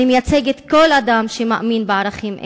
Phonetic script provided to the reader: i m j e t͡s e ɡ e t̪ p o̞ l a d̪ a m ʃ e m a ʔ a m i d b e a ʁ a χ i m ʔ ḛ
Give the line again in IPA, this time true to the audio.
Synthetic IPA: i m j a t͡s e ɡ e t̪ k o̞ l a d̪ a m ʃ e m a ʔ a m i n b e a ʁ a χ i m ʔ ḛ

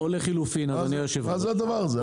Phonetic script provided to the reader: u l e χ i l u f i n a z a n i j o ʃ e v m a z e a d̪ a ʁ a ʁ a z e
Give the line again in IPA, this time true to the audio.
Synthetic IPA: o l e χ i l u f i n a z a n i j o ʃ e v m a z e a d̪ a v a ʁ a z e

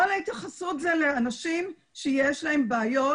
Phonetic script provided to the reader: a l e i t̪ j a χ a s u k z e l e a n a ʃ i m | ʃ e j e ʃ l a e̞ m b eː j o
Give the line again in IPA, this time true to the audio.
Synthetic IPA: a l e i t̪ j a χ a s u t z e l e a n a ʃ i m | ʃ e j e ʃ l a e̞ m b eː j o

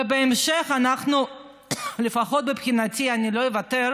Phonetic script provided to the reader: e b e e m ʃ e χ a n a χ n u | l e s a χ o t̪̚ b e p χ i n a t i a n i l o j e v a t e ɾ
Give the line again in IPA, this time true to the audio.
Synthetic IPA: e b e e m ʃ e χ a n a χ n u | l e f a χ o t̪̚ b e p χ i n a t i a n i l o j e v a t e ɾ

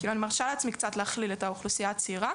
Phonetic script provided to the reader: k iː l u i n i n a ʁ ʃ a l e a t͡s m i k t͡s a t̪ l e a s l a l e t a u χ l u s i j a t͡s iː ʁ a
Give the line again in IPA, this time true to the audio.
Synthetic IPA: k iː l u a n i m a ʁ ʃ a l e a t͡s m i k t͡s a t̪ l e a χ l i l e t a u χ l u s i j a t͡s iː ʁ a

